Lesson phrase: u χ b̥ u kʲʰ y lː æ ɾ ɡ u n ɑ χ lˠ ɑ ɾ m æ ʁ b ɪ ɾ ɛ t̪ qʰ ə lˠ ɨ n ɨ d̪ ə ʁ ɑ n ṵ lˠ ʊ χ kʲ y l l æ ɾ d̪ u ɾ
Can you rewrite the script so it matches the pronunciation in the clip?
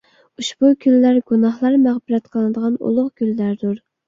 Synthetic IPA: u ʃ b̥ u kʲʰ y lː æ ɾ ɡ u n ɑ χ lˠ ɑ ɾ m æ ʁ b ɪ ɾ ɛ t̪ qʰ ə lˠ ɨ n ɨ d̪ ə ʁ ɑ n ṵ lˠ ʊ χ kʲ y l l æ ɾ d̪ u ɾ